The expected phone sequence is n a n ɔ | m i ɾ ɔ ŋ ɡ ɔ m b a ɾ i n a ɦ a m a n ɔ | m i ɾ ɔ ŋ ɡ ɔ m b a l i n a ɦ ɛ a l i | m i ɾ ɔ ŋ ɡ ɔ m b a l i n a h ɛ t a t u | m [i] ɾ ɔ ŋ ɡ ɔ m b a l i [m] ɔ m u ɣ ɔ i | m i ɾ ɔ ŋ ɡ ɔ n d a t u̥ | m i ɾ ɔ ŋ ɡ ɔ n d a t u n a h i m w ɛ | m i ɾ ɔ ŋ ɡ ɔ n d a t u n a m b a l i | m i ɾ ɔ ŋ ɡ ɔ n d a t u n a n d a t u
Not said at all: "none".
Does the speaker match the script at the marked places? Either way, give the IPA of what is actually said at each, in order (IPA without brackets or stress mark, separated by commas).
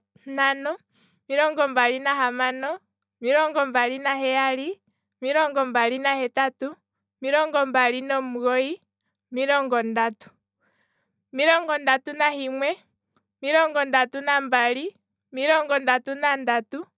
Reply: i, n